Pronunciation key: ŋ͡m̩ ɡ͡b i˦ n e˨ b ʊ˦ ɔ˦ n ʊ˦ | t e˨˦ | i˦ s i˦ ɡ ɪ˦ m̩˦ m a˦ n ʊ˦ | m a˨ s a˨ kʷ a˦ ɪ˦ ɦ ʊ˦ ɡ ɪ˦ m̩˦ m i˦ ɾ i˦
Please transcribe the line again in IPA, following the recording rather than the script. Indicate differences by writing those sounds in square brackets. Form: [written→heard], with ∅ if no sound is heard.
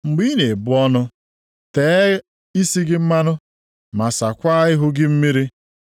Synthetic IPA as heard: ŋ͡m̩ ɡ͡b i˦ n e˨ b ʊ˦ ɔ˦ n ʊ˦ | t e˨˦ | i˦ s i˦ ɡ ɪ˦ m̩˦ m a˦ n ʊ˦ | m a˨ s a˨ kʷ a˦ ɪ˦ ɦ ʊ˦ ɡ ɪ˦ m̩˦ m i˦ ɾ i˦